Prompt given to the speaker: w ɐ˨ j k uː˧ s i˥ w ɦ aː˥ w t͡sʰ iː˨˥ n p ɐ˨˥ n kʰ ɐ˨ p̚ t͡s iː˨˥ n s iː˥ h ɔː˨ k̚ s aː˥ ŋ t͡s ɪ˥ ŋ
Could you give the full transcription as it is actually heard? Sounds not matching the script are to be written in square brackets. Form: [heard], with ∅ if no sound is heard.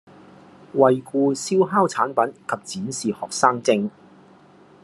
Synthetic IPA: w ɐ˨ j k uː˧ s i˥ w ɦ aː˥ w t͡sʰ [aː˨˥] n p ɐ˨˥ n kʰ ɐ˨ p̚ t͡s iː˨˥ n s [iː˨] h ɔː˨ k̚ s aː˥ ŋ t͡s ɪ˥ ŋ